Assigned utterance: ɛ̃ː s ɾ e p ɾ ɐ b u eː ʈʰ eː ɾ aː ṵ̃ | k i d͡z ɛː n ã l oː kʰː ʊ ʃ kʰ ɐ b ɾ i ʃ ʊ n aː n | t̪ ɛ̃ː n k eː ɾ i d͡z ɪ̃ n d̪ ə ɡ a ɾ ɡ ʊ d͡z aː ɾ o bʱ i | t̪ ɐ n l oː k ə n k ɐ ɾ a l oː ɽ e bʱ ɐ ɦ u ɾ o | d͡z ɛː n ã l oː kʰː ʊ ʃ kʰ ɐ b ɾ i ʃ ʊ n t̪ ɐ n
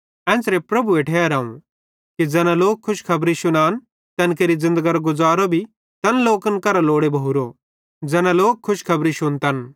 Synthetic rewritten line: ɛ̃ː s ɾ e p ɾ ɐ b u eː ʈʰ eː ɾ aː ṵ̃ | k i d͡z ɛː n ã l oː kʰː ʊ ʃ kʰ ɐ b ɾ i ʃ ʊ n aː n | t̪ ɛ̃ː n k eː ɾ i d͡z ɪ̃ n d̪ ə ɡ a ɾ ɡ ʊ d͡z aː ɾ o bʱ i | t̪ ɐ n l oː k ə n k ɐ ɾ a l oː ɽ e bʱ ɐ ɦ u ɾ o | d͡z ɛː n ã l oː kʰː ʊ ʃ kʰ ɐ b ɾ i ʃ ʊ n t̪ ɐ n